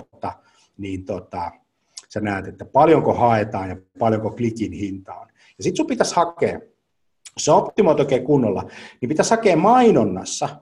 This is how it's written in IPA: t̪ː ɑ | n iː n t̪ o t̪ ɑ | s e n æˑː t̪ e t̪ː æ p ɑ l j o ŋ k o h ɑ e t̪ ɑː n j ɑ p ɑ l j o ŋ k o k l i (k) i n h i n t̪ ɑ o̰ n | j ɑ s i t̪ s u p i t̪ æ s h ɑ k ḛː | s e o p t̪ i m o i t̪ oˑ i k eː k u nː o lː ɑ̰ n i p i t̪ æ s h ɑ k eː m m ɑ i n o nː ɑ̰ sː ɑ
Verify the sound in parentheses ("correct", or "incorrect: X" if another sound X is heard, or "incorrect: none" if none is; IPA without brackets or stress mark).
correct